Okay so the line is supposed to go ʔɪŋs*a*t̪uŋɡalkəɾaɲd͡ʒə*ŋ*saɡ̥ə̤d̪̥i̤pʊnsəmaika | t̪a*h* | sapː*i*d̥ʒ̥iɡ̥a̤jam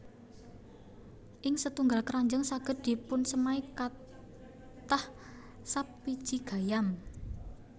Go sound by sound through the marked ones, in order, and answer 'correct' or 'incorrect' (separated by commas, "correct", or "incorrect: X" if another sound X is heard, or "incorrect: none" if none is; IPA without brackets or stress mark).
incorrect: ə, correct, correct, correct